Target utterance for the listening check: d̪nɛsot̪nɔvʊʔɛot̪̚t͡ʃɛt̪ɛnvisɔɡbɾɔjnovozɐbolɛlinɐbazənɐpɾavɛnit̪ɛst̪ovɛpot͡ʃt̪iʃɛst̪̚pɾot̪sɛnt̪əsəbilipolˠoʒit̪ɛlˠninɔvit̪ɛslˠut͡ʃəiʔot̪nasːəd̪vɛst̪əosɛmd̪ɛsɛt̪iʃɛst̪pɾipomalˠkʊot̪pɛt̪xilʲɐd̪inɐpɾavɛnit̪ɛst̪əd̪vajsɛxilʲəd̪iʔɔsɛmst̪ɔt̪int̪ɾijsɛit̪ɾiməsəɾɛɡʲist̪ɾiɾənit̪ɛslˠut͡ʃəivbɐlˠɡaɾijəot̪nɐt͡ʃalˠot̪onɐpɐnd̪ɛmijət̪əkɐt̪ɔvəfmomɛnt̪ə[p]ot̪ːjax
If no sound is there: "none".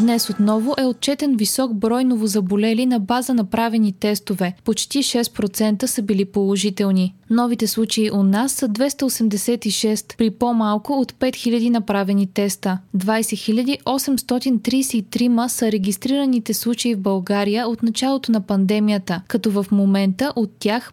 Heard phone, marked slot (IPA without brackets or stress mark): ʔ